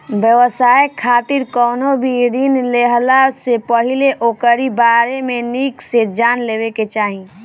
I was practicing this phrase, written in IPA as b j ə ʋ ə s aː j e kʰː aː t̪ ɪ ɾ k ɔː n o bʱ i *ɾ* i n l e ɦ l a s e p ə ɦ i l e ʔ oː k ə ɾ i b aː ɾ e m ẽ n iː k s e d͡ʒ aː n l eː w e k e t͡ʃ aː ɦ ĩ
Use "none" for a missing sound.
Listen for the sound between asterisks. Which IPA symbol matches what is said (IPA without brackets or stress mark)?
ɾ